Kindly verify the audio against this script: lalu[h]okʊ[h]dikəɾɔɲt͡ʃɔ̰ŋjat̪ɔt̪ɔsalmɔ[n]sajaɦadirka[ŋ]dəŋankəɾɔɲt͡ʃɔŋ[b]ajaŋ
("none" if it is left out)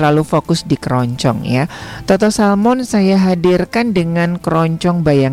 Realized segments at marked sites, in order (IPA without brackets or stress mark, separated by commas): f, s, n, n, b